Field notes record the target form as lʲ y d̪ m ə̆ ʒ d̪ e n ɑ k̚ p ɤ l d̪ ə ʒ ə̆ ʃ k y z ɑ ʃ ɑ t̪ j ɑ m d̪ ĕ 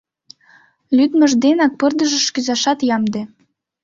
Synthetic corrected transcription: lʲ y d̪ m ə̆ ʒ d̪ e n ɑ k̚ p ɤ r d̪ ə ʒ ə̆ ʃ k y z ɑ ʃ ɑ t̪ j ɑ m d̪ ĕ